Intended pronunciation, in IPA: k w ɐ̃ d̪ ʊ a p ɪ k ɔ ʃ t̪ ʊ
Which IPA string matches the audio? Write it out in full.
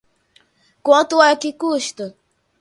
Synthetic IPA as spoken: k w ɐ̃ t̪ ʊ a k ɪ k u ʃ t̪ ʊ